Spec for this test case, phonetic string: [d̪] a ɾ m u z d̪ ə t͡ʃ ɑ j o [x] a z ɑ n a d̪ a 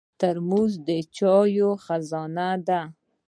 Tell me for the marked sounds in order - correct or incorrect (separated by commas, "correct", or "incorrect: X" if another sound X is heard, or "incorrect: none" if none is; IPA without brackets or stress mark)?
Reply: incorrect: t̪, correct